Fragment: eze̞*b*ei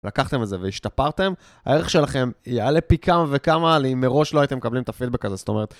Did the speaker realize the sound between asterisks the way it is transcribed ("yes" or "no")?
no